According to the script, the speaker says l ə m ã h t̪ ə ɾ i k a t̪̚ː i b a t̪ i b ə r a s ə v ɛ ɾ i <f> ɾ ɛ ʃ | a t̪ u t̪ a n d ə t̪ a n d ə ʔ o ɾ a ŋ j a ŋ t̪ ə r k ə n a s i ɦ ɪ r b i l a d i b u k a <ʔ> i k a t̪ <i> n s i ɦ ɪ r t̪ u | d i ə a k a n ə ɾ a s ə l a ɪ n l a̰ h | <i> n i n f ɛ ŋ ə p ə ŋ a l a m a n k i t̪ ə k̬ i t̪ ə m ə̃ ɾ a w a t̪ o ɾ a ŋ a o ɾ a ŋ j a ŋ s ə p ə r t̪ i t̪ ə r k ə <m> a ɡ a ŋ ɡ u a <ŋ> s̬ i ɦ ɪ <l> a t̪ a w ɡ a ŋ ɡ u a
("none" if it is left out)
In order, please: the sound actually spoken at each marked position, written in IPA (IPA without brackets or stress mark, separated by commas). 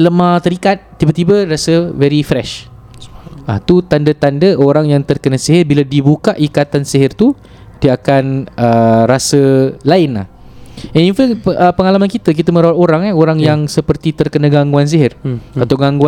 f, ʔ, a, ɛ, n, n, r